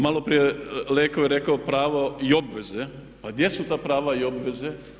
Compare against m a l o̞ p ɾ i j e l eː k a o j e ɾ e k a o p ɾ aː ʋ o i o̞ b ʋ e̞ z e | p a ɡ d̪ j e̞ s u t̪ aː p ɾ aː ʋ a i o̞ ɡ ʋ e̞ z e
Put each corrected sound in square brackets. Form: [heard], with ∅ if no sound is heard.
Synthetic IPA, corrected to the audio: m a l o̞ p ɾ i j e l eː k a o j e ɾ e k a o p ɾ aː ʋ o i o̞ b ʋ e̞ z e | p a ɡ d̪ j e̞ s u t̪ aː p ɾ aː ʋ a i o̞ [b] ʋ e̞ z e

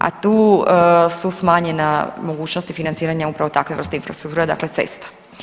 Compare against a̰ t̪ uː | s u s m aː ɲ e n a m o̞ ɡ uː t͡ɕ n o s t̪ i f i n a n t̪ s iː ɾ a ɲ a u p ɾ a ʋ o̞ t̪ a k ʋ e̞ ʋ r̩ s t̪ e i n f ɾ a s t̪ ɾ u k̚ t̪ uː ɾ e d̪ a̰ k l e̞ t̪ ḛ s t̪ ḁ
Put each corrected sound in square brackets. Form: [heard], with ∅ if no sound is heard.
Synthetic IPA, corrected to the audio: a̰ t̪ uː | s u s m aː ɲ e n a m o̞ ɡ uː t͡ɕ n o s t̪ i f i n a n t̪ s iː ɾ a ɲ a u p ɾ a ʋ o̞ t̪ a k ʋ e̞ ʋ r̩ s t̪ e i n f ɾ a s t̪ ɾ u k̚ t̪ uː ɾ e d̪ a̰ k l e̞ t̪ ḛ s t̪ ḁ

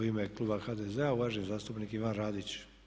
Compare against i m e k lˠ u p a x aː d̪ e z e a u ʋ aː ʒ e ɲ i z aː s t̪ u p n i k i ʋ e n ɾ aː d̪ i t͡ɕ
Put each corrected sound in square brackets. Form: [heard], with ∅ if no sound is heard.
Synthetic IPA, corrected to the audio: i m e k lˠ u [b] a x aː d̪ e z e a u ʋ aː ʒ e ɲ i z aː s t̪ u p n i k i ʋ [a] n ɾ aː d̪ i t͡ɕ

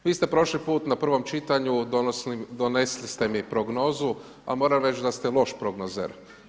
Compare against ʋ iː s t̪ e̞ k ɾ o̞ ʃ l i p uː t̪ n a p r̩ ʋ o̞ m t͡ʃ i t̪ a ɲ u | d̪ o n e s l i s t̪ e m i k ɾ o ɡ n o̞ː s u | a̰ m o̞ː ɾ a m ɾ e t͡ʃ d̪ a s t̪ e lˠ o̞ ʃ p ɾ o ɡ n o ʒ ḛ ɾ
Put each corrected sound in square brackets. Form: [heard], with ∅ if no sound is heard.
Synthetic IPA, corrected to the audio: ʋ iː s t̪ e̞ [p] ɾ o̞ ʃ l i p uː t̪ n a p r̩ ʋ o̞ m t͡ʃ i t̪ a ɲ u | d̪ o n e s l i s t̪ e m i [p] ɾ o ɡ n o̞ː [z] u | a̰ m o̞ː ɾ a m ɾ e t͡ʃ d̪ a s t̪ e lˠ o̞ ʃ p ɾ o ɡ n o [z] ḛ ɾ

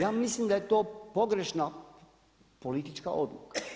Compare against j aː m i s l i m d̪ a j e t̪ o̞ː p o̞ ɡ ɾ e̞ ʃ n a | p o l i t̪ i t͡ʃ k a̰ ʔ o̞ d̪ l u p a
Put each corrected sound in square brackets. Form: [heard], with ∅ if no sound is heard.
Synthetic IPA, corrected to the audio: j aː m i s l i m d̪ a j e t̪ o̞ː p o̞ ɡ ɾ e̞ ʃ n a | p o l i t̪ i t͡ʃ k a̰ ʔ o̞ d̪ l u [k] a

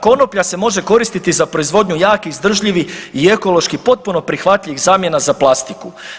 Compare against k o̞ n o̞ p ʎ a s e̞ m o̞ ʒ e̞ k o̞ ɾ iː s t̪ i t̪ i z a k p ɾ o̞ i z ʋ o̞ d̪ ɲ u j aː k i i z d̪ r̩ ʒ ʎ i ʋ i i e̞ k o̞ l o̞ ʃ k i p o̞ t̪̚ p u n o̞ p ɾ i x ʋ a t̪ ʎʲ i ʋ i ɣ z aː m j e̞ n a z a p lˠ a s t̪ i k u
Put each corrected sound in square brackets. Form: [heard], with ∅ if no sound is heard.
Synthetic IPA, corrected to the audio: k o̞ n o̞ p ʎ a s e̞ m o̞ ʒ e̞ k o̞ ɾ [i] s t̪ i t̪ i z a [∅] p ɾ o̞ i z ʋ o̞ d̪ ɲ u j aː k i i z d̪ r̩ ʒ ʎ i ʋ i i e̞ k o̞ l o̞ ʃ k i p o̞ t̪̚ p u n o̞ p ɾ i x ʋ a t̪ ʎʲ i ʋ i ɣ z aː m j e̞ n a z a p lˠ a s t̪ i k u

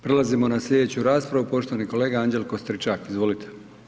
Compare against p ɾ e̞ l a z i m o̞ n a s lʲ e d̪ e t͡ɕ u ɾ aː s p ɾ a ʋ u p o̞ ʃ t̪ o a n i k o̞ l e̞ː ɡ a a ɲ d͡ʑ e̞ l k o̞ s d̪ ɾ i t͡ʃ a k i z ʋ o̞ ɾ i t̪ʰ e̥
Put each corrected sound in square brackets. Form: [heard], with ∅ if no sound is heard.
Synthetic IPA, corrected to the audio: p ɾ e̞ l a z i m o̞ n a s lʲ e d̪ e t͡ɕ u ɾ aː s p ɾ a ʋ u p o̞ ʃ t̪ o a n i k o̞ l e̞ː ɡ a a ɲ d͡ʑ e̞ l k o̞ s [t̪] ɾ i t͡ʃ a k i z ʋ o̞ [l] i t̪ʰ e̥

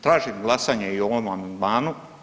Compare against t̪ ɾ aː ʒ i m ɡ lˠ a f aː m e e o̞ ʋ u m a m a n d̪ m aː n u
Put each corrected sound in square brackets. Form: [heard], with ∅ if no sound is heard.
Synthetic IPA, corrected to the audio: t̪ ɾ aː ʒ i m ɡ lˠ a [s] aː [ɲ] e [i] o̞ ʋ [o] m a m a n d̪ m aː n u

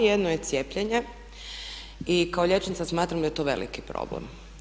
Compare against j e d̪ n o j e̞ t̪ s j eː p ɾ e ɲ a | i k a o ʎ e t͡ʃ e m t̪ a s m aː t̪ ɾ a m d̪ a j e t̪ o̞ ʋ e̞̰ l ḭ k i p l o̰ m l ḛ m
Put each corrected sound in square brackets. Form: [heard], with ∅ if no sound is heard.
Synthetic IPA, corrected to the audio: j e d̪ n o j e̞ t̪ s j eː p [ʎ] e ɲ [e] | i k a o ʎ e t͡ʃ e [n] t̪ a s m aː t̪ ɾ a m d̪ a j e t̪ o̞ ʋ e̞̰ l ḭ k i p [ɾ] o̰ [b] l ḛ m

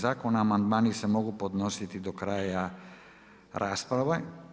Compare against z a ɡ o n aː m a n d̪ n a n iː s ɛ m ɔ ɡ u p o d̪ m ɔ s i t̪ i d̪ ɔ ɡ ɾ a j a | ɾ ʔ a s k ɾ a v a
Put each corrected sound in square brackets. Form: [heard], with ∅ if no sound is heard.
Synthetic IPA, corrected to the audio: z a [k] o n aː m a n d̪ [m] a n [i] s ɛ m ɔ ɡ u p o d̪ [n] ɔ s i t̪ i d̪ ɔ [k] ɾ a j a | ɾ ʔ a s [p] ɾ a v a

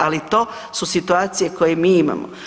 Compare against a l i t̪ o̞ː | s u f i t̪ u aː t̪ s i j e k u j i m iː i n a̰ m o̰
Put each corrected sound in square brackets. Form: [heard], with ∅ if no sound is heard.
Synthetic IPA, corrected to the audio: a l i t̪ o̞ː | s u [s] i t̪ u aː t̪ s i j e k [o] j [e] m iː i [m] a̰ m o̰

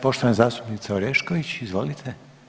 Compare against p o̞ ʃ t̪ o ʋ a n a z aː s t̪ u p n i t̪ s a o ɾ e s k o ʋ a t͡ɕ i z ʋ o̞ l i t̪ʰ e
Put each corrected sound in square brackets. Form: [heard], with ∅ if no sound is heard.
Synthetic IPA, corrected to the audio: p o̞ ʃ t̪ o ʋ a n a z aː s t̪ u p n i t̪ s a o ɾ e [ʃ] k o ʋ [i] t͡ɕ i z ʋ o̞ l i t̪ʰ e

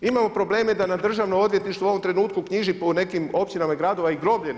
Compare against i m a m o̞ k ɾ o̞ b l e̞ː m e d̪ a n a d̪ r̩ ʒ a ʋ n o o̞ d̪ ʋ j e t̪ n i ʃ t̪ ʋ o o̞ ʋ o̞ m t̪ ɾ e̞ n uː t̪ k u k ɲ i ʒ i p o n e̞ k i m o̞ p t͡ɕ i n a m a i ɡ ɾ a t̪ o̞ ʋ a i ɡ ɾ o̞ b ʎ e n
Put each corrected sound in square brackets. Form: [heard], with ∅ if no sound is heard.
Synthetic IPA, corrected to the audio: i m a m o̞ [p] ɾ o̞ b l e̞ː m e d̪ a n a d̪ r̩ ʒ a ʋ n o o̞ d̪ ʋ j e t̪ n i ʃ t̪ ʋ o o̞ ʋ o̞ m t̪ ɾ e̞ n uː t̪ k u k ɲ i ʒ i p o n e̞ k i m o̞ p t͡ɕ i n a m a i ɡ ɾ a [d̪] o̞ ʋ a i ɡ ɾ o̞ b ʎ e n

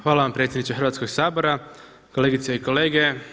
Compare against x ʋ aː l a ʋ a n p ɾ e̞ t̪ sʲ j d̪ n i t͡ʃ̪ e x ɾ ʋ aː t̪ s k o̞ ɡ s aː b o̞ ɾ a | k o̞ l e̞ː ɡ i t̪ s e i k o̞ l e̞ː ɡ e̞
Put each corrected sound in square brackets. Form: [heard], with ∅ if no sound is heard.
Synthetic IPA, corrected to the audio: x ʋ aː l a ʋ a [m] p ɾ e̞ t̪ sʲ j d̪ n i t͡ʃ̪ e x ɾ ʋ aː t̪ s k o̞ ɡ s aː b o̞ ɾ a | k o̞ l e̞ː ɡ i t̪ s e i k o̞ l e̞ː ɡ e̞

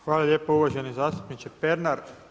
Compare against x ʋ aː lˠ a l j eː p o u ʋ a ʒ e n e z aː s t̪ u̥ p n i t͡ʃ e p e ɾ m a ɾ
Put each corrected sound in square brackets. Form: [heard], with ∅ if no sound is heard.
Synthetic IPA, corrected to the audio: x ʋ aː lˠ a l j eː p o u ʋ a ʒ e n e z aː s t̪ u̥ p n i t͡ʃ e p e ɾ [n] a ɾ

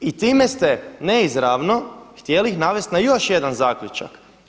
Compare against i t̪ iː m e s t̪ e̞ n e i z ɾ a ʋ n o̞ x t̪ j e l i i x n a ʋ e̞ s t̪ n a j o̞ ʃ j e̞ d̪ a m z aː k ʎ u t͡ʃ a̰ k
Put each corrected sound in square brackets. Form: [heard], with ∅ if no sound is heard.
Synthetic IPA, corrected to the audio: i t̪ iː m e s t̪ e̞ n e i z ɾ a ʋ n o̞ x t̪ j e l i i x n a ʋ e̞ s t̪ n a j o̞ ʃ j e̞ d̪ a [n] z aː k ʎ u t͡ʃ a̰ k

